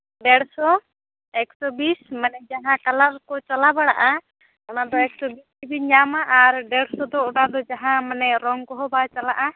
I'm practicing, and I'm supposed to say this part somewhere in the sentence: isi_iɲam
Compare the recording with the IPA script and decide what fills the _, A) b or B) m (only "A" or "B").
A